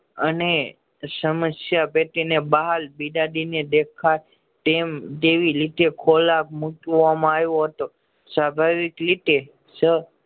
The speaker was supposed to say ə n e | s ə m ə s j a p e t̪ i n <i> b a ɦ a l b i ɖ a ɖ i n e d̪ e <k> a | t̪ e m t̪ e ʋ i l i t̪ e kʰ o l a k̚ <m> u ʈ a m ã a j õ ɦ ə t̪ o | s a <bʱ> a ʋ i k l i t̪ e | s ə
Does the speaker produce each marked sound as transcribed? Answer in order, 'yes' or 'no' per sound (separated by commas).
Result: no, no, yes, yes